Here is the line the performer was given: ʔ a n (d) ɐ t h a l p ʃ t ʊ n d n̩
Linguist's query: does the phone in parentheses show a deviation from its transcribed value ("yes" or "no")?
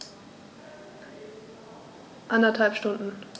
no